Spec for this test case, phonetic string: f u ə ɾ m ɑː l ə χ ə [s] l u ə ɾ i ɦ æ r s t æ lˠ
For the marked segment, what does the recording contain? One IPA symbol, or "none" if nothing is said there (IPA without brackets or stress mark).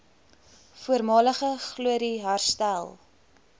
χ